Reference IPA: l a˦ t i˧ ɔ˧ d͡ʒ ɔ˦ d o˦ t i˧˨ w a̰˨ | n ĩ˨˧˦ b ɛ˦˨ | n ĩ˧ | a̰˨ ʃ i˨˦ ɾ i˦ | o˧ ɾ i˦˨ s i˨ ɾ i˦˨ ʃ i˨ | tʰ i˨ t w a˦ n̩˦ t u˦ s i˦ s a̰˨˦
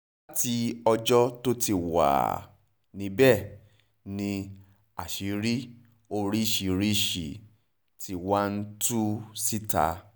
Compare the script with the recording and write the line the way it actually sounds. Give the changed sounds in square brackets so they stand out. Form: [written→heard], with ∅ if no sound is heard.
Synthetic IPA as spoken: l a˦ t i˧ ɔ˧ d͡ʒ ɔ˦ [d→t] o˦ t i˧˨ w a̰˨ | n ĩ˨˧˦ b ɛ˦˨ | n ĩ˧ | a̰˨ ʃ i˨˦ ɾ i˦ | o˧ ɾ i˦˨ [s→ʃ] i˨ ɾ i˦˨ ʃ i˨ | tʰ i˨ [t→∅] w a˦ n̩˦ t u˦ s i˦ [s→t] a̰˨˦